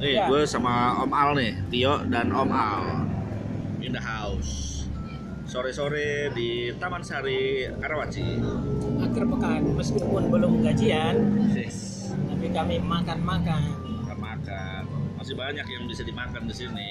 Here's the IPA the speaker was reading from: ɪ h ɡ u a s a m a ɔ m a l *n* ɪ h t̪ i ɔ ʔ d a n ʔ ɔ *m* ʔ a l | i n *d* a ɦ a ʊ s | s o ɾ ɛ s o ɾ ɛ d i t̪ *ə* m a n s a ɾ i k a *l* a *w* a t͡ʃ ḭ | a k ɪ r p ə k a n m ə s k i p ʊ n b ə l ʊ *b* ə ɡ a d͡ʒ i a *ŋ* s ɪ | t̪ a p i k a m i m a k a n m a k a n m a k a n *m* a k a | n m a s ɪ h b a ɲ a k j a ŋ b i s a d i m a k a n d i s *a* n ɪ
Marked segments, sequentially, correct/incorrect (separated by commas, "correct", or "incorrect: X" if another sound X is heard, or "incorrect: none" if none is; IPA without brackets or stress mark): correct, correct, correct, incorrect: a, incorrect: ɾ, correct, incorrect: m, incorrect: n, correct, incorrect: i